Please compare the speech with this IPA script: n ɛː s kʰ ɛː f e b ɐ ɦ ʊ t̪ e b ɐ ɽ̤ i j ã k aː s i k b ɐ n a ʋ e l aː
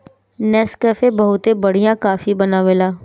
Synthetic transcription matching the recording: n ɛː s k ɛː f e b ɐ ɦ ʊ t̪ e b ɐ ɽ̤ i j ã k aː f i b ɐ n a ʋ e l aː